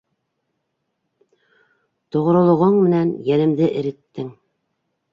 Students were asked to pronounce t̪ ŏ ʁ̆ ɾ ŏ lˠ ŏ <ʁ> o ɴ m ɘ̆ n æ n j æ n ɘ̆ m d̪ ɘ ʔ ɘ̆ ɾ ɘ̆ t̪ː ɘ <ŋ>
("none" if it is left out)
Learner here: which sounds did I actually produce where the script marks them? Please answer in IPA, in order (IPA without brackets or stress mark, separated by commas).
ʁ, ŋ